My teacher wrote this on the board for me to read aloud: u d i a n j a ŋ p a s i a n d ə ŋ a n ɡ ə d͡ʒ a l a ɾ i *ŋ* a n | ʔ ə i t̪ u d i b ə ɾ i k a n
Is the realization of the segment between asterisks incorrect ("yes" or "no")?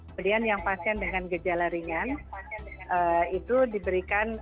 no